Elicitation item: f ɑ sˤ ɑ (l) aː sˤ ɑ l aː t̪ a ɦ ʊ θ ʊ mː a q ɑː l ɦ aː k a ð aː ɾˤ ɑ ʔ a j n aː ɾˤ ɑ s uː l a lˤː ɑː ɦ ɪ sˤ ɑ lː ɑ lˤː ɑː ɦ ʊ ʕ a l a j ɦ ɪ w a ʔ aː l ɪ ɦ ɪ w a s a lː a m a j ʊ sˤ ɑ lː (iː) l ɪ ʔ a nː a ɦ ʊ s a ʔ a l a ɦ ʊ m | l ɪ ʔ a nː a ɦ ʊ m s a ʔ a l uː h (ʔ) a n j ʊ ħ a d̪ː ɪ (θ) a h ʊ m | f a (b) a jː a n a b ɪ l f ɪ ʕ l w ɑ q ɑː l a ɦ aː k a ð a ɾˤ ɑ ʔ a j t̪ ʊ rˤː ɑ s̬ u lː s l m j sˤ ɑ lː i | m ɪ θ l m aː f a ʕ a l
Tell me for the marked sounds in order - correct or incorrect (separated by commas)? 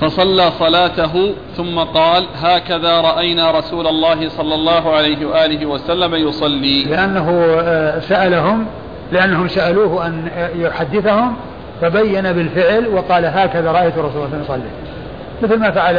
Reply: incorrect, correct, correct, correct, correct